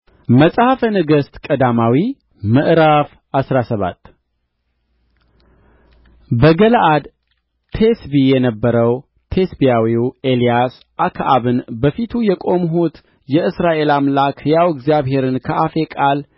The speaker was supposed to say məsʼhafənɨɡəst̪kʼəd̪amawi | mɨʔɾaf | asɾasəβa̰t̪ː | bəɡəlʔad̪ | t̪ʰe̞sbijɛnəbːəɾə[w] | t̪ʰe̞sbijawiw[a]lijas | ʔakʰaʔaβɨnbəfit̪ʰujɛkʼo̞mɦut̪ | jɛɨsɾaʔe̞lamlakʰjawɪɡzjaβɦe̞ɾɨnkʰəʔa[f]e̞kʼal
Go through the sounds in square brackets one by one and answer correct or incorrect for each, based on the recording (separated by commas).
correct, incorrect, correct